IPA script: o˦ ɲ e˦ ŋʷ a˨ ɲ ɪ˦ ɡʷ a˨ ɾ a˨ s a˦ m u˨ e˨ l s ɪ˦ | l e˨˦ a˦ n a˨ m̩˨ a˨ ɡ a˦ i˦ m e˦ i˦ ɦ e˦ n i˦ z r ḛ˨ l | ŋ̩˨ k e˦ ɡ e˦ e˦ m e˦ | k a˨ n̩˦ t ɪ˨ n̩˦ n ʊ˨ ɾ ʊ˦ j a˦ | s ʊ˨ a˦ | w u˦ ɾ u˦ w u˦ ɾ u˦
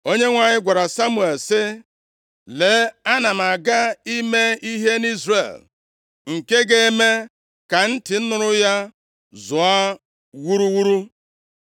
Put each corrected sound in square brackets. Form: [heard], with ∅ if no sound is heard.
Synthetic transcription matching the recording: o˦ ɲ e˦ ŋʷ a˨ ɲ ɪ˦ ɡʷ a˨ ɾ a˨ s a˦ m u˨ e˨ l s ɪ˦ | l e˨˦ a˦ n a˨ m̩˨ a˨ ɡ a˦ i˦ m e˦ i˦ ɦ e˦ n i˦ z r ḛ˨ l | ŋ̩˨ k e˦ ɡ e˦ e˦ m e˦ | k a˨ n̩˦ t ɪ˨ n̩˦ n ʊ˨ ɾ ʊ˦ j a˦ | [z] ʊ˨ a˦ | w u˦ ɾ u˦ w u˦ ɾ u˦